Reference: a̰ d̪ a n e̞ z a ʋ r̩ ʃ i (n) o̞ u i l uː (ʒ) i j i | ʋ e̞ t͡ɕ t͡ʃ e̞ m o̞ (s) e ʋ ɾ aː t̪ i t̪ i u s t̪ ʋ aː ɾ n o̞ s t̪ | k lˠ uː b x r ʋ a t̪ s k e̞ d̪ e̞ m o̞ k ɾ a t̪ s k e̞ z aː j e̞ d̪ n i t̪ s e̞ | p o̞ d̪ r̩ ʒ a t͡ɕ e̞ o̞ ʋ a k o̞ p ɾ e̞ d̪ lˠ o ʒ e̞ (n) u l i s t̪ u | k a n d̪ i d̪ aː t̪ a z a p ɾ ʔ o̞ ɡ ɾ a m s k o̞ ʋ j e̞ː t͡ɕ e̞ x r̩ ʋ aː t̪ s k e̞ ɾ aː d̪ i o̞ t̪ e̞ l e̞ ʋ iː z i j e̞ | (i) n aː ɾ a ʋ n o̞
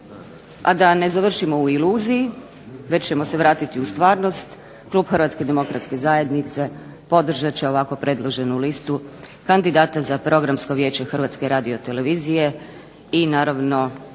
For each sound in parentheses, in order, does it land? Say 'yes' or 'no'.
no, no, yes, yes, yes

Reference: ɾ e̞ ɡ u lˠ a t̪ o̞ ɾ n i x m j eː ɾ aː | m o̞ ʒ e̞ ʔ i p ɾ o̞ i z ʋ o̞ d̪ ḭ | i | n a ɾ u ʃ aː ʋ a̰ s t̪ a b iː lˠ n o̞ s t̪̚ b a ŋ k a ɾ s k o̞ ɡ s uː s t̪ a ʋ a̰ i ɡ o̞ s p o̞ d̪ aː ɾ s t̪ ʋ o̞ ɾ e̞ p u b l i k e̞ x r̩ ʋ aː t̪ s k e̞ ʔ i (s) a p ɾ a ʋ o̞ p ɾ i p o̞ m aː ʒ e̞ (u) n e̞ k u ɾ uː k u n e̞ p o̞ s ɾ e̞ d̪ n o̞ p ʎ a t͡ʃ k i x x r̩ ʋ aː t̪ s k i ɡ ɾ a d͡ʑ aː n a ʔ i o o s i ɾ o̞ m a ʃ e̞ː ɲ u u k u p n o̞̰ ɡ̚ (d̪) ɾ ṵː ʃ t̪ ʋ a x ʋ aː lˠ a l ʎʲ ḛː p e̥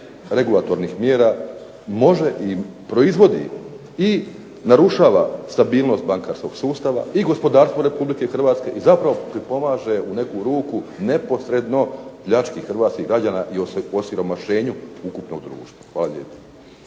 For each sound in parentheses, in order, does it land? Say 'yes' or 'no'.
no, yes, yes

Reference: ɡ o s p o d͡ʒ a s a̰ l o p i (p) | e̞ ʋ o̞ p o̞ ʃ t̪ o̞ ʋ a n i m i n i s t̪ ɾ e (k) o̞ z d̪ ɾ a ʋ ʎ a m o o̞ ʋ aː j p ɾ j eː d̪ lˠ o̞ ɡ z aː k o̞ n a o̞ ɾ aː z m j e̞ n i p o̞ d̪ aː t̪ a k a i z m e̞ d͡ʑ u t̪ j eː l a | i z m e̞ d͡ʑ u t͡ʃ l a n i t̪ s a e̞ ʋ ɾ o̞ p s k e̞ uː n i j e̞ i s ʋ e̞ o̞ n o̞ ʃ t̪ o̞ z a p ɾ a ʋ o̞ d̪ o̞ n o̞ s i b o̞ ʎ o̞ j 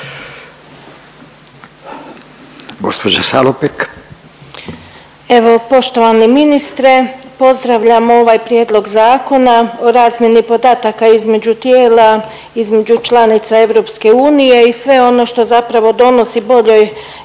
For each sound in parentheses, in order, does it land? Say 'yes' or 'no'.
no, no

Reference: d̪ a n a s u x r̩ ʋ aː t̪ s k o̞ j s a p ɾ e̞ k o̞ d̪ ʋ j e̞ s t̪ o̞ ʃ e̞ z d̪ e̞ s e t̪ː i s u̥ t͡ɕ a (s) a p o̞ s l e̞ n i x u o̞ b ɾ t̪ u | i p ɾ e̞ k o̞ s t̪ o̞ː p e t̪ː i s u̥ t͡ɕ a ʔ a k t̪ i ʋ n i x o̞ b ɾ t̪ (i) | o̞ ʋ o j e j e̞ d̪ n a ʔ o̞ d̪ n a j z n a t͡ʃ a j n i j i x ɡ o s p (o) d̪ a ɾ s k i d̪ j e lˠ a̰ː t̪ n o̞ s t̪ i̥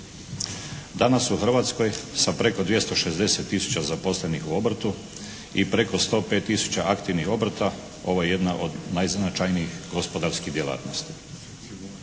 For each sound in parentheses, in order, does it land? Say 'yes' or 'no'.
no, no, yes

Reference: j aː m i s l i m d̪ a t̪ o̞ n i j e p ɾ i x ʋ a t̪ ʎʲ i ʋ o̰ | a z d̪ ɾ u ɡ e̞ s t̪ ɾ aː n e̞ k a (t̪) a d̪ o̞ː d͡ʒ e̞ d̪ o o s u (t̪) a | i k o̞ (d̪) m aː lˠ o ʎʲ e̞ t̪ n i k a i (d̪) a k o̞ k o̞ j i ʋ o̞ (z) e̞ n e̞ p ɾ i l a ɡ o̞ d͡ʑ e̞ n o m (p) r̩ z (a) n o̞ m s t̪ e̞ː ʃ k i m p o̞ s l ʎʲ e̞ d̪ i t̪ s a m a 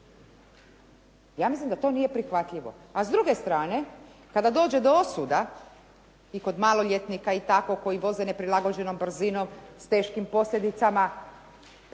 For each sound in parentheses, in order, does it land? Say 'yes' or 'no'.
no, no, yes, no, yes, no, no

